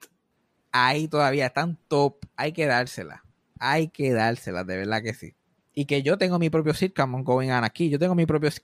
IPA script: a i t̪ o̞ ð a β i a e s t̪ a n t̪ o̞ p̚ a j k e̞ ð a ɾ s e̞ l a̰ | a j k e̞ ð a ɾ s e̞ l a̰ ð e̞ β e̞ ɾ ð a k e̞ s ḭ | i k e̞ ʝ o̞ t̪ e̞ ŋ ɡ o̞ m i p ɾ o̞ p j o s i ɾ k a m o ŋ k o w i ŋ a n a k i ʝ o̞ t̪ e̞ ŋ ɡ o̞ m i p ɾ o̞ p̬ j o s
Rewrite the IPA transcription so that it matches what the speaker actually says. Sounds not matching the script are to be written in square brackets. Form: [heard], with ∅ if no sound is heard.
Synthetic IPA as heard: a i t̪ o̞ ð a β i a e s t̪ a n t̪ o̞ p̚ a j k e̞ ð a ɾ s e̞ l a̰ | a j k e̞ ð a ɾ s e̞ l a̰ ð e̞ β e̞ ɾ ð a k e̞ s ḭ | i k e̞ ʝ o̞ t̪ e̞ ŋ ɡ o̞ m i p ɾ o̞ p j o s i ɾ k a m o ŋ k o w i ŋ a n a k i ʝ o̞ t̪ e̞ ŋ ɡ o̞ m i p ɾ o̞ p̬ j o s